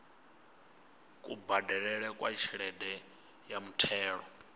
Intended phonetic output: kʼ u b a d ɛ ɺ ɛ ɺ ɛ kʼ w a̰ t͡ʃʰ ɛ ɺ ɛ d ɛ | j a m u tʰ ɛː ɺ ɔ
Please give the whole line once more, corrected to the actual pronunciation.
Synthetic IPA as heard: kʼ u b a d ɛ ɺ ɛ ɺ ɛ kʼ w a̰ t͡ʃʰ i ɺ ɛ d ɛ | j a m u tʰ ɛː ɺ ɔ